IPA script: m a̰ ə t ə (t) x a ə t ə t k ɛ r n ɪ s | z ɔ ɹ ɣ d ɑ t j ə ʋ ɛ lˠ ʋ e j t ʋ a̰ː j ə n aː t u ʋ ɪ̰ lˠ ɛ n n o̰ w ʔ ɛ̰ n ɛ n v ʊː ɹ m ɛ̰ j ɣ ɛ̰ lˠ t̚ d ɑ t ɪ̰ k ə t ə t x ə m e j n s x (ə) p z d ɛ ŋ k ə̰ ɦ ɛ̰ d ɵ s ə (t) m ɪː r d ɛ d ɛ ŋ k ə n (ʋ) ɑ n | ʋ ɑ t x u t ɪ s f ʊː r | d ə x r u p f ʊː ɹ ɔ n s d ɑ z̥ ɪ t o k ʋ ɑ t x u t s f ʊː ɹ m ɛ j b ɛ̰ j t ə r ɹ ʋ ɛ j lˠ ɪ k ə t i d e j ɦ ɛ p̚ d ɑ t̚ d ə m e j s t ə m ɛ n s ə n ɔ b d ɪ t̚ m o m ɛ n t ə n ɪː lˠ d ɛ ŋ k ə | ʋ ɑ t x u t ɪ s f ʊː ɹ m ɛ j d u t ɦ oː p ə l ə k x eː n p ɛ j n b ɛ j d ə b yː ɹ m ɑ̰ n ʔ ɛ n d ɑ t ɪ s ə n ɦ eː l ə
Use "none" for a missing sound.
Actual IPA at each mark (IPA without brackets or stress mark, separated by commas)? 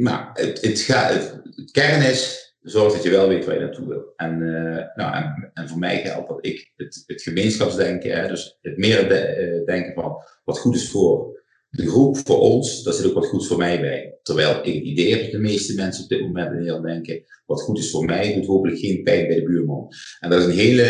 t, ɑ, t, v